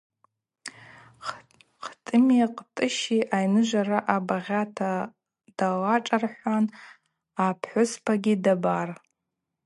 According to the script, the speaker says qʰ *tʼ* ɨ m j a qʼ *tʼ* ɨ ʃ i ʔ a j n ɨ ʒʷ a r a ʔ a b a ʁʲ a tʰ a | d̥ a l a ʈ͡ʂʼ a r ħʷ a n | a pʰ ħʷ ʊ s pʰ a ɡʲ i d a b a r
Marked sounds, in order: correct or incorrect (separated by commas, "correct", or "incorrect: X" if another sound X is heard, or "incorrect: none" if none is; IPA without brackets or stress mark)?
correct, correct